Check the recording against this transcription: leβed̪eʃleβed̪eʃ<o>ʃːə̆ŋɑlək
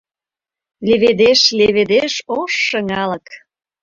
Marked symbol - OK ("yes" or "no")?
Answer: yes